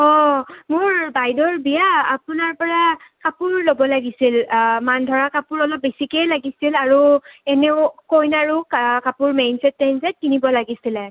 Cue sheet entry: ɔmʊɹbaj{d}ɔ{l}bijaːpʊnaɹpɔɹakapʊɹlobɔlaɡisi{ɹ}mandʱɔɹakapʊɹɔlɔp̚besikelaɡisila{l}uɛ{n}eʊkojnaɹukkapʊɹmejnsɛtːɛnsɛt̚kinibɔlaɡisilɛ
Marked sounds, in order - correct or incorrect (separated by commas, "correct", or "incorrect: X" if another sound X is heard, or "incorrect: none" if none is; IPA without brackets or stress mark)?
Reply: correct, incorrect: ɹ, incorrect: l, incorrect: ɹ, correct